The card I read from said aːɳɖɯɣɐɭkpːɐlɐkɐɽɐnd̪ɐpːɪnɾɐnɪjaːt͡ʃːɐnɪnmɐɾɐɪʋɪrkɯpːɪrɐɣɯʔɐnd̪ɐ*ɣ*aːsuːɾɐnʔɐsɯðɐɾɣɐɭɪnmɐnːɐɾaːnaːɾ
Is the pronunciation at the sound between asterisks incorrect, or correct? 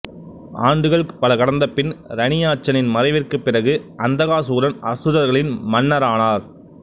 correct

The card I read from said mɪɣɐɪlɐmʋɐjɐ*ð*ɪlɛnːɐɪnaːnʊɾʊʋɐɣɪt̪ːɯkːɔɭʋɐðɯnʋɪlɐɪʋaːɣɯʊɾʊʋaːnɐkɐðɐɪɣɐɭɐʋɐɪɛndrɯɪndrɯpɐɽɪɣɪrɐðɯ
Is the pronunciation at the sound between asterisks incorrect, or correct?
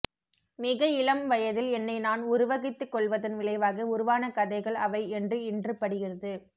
correct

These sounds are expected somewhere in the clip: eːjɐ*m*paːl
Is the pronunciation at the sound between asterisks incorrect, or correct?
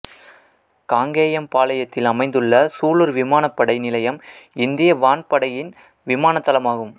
correct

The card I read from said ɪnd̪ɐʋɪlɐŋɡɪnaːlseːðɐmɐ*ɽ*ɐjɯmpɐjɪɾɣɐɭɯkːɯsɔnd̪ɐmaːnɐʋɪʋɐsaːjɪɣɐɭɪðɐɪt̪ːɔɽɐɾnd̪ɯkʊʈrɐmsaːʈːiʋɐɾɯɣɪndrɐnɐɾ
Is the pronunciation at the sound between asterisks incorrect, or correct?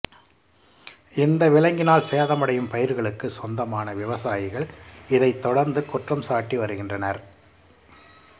correct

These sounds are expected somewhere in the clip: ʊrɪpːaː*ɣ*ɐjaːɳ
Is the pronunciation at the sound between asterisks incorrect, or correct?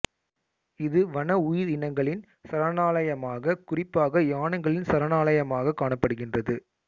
correct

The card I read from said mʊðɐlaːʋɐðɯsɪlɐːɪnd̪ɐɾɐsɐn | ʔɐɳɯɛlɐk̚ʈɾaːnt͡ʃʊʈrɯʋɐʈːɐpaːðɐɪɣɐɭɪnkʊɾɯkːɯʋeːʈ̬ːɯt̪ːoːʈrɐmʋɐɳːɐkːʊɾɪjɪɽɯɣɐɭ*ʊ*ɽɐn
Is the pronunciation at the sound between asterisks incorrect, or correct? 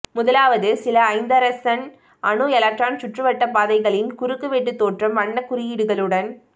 incorrect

